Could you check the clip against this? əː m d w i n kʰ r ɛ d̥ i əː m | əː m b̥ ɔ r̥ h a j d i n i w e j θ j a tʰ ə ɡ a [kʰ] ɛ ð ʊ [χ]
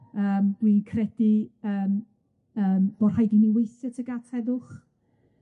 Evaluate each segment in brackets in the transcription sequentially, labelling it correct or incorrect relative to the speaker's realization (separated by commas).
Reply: incorrect, correct